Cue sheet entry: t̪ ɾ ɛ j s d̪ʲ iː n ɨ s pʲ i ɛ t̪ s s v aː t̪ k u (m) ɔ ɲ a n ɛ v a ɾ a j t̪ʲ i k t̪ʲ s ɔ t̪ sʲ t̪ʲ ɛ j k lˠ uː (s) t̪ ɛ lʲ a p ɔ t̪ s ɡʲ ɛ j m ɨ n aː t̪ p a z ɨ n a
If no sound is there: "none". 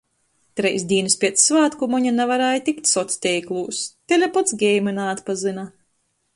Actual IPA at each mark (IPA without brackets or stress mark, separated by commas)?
m, s